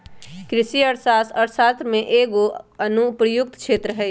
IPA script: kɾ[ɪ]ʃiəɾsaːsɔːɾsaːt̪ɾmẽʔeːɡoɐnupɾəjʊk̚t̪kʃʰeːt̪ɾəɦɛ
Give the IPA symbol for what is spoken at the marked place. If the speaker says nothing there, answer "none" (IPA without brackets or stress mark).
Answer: ɪ